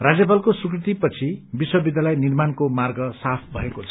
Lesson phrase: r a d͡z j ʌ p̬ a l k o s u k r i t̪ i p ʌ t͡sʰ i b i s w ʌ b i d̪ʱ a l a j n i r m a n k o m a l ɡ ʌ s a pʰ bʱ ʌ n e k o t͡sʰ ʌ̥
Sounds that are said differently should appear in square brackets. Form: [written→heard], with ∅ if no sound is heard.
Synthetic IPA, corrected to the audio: r a d͡z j ʌ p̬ a l k o s u k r i t̪ i p ʌ t͡sʰ i b i s w ʌ b i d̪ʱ a l a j n i r m a n k o m a [l→r] ɡ ʌ s a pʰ bʱ ʌ [n→∅] e k o t͡sʰ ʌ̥